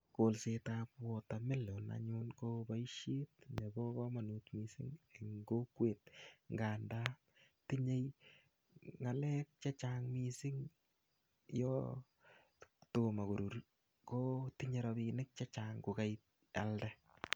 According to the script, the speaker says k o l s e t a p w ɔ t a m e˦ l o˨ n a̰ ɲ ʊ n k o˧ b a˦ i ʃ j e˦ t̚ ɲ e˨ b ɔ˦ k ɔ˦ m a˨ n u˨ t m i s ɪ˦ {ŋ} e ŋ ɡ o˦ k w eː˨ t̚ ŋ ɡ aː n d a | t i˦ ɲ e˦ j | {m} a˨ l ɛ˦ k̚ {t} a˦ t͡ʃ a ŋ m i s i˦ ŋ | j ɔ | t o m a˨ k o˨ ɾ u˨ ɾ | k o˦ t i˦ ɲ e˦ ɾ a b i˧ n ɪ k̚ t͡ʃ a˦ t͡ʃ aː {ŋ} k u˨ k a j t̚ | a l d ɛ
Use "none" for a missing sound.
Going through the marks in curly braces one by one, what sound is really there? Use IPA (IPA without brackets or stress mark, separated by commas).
ŋ, ŋ, t͡ʃ, ŋ